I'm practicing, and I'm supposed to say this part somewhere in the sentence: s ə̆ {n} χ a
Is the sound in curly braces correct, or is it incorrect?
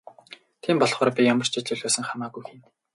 incorrect